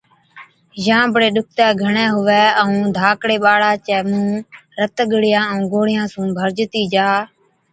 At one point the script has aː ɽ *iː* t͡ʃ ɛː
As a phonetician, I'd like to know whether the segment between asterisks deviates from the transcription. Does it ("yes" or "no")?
yes